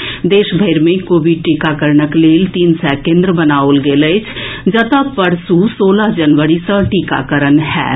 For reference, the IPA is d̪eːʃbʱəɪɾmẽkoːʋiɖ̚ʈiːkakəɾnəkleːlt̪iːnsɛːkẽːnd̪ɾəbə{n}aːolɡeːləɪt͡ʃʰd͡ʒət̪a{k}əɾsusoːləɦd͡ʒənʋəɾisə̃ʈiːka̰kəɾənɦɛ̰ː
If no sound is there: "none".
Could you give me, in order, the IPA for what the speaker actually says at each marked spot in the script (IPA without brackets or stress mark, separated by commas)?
n, p